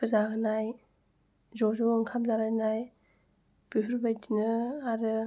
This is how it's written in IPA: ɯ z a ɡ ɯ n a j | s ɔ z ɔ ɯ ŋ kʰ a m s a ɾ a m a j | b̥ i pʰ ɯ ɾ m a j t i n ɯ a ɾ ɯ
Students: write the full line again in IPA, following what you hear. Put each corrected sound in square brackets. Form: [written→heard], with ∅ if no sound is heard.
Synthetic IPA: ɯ z a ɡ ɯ n a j | [s→z] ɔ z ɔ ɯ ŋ kʰ a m [s→z] a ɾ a [m→n] a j | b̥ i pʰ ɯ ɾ [m→b] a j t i n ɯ a ɾ ɯ